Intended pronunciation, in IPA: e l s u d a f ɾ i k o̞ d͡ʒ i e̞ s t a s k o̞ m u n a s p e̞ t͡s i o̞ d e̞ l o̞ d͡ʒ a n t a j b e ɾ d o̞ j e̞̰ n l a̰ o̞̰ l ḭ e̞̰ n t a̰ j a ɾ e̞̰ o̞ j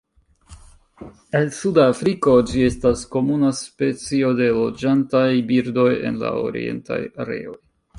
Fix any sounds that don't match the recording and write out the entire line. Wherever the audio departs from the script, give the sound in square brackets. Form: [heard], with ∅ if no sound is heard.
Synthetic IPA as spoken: e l s u d a f ɾ i k o̞ d͡ʒ i e̞ s t a s k o̞ m u n a s p e̞ t͡s i o̞ d e̞ l o̞ d͡ʒ a n t a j b [i] ɾ d o̞ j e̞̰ n l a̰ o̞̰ [ɾ] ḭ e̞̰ n t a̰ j a ɾ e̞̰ o̞ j